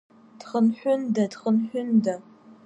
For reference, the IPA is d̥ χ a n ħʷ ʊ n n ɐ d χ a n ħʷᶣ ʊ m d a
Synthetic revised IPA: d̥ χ ə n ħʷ ʊ n d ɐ d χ ə n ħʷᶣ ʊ n d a

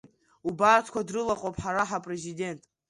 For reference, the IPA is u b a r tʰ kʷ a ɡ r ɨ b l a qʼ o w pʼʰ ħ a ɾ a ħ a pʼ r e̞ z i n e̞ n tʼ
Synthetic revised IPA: u b a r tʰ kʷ a d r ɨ l a qʼ o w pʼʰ ħ a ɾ a ħ a pʼ r e̞ z i d e̞ n tʼ

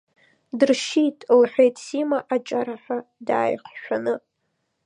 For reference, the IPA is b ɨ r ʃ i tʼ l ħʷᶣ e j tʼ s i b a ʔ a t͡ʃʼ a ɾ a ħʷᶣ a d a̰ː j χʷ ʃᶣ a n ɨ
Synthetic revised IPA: d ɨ r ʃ i tʼ l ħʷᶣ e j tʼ s i m a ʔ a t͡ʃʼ a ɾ a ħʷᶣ a d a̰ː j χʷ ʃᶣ a n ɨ

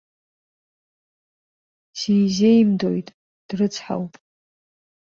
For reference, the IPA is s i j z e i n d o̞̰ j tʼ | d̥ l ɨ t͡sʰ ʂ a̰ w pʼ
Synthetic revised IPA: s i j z e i m d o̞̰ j tʼ | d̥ r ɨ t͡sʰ ħ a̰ w pʼ

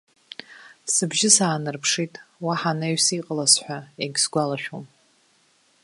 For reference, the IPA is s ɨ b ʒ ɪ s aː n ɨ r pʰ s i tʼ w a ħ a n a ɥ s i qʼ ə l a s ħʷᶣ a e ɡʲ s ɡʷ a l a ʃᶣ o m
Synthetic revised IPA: s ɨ b ʒ ɪ s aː n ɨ r pʰ ʂ i tʼ w a ħ a n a ɥ s i qʼ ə l a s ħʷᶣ a e ɡʲ s ɡʷ a l a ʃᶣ o m

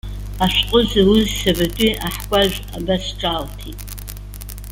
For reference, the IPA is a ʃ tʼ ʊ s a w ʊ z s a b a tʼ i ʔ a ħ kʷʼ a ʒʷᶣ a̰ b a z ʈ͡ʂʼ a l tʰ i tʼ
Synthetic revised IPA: a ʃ qʼ ʊ z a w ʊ z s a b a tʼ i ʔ a ħ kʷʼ a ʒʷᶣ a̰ b a s ʈ͡ʂʼ a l tʰ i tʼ

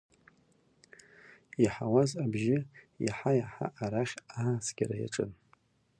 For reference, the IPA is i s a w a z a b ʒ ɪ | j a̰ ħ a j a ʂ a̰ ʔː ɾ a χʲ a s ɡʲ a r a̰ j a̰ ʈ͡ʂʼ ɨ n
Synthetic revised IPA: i ħ a w a z a b ʒ ɪ | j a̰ ħ a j a ħ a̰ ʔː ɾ a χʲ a s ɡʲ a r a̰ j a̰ ʈ͡ʂʼ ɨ n

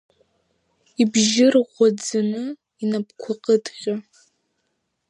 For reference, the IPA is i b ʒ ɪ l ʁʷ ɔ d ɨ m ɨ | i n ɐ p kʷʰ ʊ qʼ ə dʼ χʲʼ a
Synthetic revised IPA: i b ʒ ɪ r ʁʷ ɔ d͡z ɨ n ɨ | i n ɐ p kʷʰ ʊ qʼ ə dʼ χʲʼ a

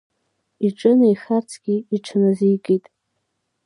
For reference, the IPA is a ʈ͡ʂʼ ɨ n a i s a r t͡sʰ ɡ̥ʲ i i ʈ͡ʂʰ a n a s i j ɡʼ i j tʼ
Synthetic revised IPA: i ʈ͡ʂʼ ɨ n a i χ a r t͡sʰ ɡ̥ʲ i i ʈ͡ʂʰ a n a z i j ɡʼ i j tʼ

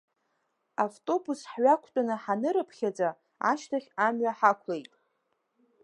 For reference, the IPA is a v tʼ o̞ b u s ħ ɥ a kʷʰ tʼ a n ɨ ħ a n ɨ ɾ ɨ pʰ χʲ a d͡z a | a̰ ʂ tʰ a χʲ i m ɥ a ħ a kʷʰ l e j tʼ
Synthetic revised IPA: a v tʼ o̞ b u s ħ ɥ a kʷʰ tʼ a n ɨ ħ a n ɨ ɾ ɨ pʰ χʲ a d͡z a | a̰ ʃ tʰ a χʲ a m ɥ a ħ a kʷʰ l e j tʼ

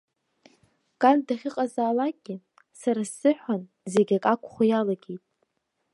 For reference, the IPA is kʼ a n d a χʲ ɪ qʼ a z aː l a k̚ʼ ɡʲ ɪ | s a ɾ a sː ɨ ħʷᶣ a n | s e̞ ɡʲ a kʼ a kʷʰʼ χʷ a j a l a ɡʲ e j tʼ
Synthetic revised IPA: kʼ a n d a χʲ ɪ qʼ a z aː l a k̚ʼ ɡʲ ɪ | s a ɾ a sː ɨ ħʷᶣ a n | z e̞ ɡʲ a kʼ a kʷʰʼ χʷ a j a l a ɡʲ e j tʼ

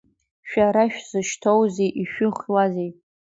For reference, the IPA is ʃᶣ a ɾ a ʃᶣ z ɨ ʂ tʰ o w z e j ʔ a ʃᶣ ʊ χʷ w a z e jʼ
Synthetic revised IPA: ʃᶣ a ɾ a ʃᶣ z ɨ ʃ tʰ o w z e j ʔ i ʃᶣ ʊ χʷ w a z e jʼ

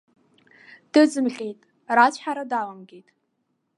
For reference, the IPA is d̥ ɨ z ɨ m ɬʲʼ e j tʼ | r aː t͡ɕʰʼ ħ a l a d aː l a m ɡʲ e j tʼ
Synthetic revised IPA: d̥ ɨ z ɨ m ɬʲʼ e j tʼ | r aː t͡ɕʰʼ ħ a ɾ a d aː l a m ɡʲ e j tʼ

